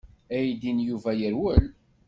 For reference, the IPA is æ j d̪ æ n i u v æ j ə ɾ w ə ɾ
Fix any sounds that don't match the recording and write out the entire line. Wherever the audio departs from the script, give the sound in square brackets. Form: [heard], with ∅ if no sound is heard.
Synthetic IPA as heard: æ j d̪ [i] n [j] u v æ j ə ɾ w ə [l]